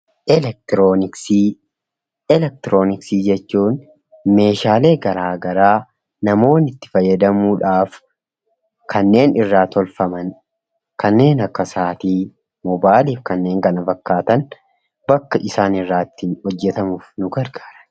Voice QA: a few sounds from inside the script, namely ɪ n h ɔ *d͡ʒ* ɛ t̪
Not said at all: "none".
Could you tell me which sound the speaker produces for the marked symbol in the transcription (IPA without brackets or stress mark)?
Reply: d͡ʒː